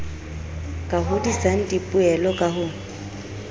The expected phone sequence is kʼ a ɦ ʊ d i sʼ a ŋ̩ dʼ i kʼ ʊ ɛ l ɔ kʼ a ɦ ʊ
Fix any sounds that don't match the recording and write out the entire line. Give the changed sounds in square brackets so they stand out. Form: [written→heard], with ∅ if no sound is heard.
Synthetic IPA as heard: kʼ a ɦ ʊ d i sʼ a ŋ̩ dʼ i [kʼ→pʼ] ʊ ɛ l ɔ kʼ a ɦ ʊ